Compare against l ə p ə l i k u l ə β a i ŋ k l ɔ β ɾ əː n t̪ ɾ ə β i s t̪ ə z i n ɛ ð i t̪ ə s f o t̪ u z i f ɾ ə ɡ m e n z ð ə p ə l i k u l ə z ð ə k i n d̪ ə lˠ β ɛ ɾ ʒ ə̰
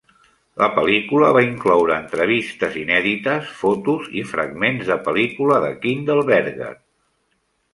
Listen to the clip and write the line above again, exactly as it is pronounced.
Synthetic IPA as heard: l ə p ə l i k u l ə β a i ŋ k l ɔ w ɾ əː n t̪ ɾ ə β i s t̪ ə z i n ɛ ð i t̪ ə s f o t̪ u z i f ɾ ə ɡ m e n z ð ə p ə l i k u l ə ð ə k i n d̪ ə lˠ β ɛ ɾ ɣ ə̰

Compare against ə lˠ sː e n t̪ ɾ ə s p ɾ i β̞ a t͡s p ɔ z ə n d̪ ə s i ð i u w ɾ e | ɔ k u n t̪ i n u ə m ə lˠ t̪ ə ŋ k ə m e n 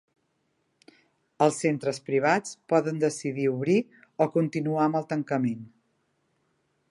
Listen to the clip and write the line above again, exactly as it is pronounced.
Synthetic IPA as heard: ə lˠ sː e n t̪ ɾ ə s p ɾ i β̞ a t͡s p ɔ ð ə n d̪ ə s i ð i u β ɾ i | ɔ k u n t̪ i n u a m ə lˠ t̪ ə ŋ k ə m e n

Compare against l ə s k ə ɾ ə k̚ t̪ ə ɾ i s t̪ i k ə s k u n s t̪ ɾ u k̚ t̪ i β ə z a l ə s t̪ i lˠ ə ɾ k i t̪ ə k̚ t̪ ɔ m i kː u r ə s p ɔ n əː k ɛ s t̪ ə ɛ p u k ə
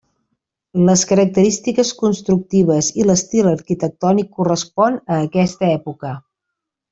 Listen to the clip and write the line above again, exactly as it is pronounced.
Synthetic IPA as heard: l ə s k ə ɾ ə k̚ t̪ ə ɾ i s t̪ i k ə s k u n s t̪ ɾ u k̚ t̪ i β ə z i l ə s t̪ i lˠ ə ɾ k i t̪ ə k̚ t̪ ɔ n i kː u r ə s p ɔ n əː k ɛ s t̪ ə ɛ p u k ə

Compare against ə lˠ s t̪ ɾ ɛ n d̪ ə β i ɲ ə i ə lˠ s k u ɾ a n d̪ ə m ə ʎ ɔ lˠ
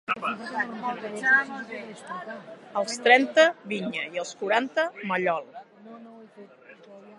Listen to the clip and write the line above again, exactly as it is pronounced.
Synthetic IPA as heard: ə lˠ s t̪ ɾ ɛ n t̪ ə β i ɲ ə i ə lˠ s k u ɾ a n t̪ ə m ə ʎ ɔ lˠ

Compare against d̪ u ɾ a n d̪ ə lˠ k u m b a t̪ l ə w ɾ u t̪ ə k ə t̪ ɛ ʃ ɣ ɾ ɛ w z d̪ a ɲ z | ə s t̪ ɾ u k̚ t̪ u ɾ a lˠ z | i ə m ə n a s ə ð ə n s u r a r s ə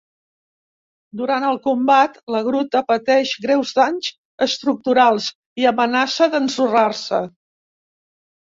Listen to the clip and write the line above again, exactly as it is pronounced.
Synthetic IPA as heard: d̪ u ɾ a n t̪ ə lˠ k u m b a t̪ l ə ɣ ɾ u t̪ ə p ə t̪ ɛ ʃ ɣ ɾ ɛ w z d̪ a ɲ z | ə s t̪ ɾ u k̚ t̪ u ɾ a lˠ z | i ə m ə n a s ə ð ə n s u r a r s ə

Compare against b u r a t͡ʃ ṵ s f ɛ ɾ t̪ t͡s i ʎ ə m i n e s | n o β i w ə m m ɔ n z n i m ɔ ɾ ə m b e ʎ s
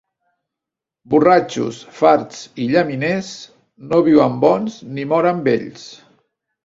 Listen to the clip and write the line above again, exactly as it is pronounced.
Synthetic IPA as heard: b u r a t͡ʃ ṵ s f a ɾ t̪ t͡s i ʎ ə m i n e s | n o β i w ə m b ɔ n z n i m ɔ ɾ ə m b e ʎ s

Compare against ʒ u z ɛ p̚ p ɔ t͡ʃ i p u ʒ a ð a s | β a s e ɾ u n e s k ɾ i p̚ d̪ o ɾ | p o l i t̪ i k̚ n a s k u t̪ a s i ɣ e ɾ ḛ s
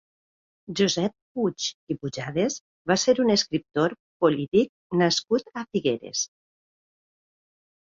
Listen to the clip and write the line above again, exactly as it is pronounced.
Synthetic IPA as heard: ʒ u z ɛ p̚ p u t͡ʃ i p u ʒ a ð e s | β a s e ɾ u n e s k ɾ i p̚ t̪ o ɾ | p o l i t̪ i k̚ n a s k u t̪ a f i ɣ e ɾ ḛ s

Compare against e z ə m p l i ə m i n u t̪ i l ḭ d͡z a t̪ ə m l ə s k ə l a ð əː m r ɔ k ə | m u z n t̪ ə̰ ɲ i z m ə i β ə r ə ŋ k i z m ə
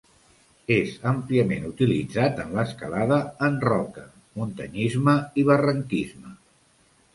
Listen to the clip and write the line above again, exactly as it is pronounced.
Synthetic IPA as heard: e z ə m p l i ə m e n u t̪ i l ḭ d͡z a t̪ ə n l ə s k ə l a ð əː n r ɔ k ə | m u n t̪ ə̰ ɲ i z m ə i β ə r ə ŋ k i z m ə

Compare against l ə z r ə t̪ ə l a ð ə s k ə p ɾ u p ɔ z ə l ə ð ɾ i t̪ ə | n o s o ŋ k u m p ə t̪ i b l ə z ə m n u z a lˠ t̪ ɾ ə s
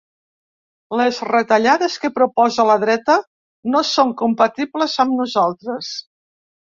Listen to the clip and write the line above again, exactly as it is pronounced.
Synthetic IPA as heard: l ə z r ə t̪ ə ʎ a ð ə s k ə p ɾ u p ɔ z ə l ə ð ɾ ɛ t̪ ə | n o s o ŋ k u m p ə t̪ i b l ə z ə m n u z a lˠ t̪ ɾ ə s

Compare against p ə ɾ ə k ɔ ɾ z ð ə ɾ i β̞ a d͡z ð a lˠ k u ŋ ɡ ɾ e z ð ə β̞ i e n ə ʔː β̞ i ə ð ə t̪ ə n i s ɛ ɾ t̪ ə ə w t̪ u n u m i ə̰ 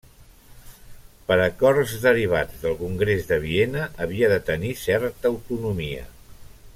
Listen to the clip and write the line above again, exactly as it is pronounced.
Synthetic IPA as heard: p ə ɾ ə k ɔ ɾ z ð ə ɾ i β̞ a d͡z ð ə lˠ k u ŋ ɡ ɾ e z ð ə β̞ i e n ə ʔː β̞ i ə ð ə t̪ ə n i s ɛ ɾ t̪ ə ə w t̪ u n u m i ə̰

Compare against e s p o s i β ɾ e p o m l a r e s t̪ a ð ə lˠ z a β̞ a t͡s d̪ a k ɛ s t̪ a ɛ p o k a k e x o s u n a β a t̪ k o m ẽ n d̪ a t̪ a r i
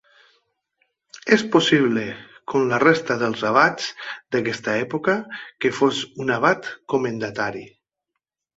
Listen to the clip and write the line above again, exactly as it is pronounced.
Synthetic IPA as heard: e s p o s i β l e k o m l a r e s t̪ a ð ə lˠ z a β̞ a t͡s d̪ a k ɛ s t̪ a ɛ p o k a k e f o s u n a β a t̪ k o m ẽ n d̪ a t̪ a ɾ i

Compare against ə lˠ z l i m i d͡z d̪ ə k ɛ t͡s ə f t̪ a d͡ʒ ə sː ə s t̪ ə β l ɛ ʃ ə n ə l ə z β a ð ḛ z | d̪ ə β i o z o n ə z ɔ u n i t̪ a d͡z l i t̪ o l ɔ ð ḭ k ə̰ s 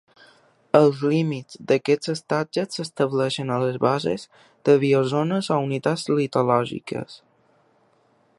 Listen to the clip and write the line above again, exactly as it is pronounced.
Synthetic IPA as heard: ə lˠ z l i m i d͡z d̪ ə k ɛ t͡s ə s t̪ a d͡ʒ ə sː ə s t̪ ə β l ɛ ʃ ə n ə l ə z β a z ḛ z | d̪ ə β i o z o n ə z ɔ u n i t̪ a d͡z l i t̪ o l ɔ ʒ ḭ k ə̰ s

